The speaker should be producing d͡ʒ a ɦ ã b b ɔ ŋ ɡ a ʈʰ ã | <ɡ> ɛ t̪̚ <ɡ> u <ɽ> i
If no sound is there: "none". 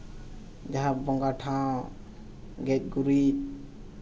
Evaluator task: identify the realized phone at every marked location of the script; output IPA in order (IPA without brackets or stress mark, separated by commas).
ɡ, ɡ, ɾ